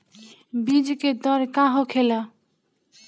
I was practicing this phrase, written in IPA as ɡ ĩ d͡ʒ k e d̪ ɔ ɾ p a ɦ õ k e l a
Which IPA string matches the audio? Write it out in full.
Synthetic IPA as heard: b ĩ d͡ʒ k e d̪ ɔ ɾ k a ɦ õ kʰ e l a